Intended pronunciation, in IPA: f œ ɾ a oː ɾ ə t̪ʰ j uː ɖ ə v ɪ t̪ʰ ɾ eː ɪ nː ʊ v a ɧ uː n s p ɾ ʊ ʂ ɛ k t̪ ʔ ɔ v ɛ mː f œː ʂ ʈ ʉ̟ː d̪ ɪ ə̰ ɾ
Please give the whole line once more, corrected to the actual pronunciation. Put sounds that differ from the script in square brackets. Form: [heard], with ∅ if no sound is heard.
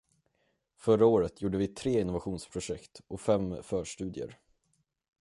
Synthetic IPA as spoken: f œ ɾ a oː ɾ ə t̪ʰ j uː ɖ ə v ɪ t̪ʰ ɾ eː ɪ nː ʊ v a ɧ uː n s [pʰ] ɾ ʊ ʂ ɛ k t̪ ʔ ɔ [f] ɛ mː f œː ʂ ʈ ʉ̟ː d̪ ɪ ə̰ ɾ